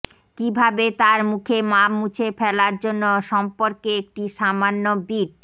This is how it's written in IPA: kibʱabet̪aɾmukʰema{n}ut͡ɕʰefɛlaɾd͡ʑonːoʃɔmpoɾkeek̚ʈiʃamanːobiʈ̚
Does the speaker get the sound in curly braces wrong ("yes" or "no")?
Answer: yes